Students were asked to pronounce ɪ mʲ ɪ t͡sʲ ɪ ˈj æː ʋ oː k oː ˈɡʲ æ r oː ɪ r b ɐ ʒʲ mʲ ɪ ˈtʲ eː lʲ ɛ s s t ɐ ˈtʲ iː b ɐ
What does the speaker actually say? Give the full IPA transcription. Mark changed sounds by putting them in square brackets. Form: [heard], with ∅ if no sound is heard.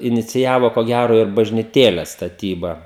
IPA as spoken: ɪ [nʲ] ɪ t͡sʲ ɪ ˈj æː ʋ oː k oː ˈɡʲ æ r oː ɪ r b ɐ ʒʲ [nʲ] ɪ ˈtʲ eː lʲ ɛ s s t ɐ ˈtʲ iː b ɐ